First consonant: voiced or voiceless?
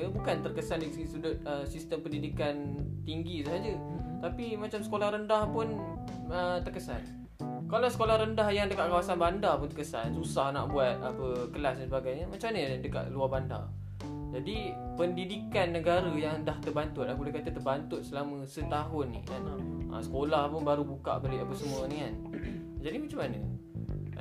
voiced